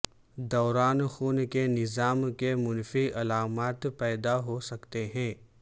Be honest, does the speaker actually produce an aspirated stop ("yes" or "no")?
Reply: no